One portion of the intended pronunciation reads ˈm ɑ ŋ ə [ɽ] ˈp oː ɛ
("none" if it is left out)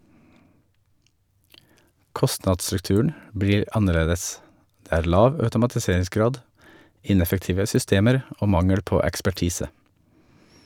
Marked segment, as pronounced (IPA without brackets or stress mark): ɽ